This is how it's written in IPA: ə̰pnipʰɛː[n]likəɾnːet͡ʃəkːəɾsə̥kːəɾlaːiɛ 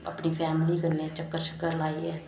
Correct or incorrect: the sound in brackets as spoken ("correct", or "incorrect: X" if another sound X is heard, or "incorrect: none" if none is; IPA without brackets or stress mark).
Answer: incorrect: m